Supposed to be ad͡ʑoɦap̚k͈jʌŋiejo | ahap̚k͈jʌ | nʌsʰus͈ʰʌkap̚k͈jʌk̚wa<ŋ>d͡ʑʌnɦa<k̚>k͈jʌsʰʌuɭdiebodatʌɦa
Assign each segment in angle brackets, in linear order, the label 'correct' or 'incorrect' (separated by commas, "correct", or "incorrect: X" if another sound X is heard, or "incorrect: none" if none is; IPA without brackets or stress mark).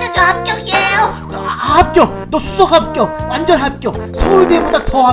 incorrect: n, incorrect: p̚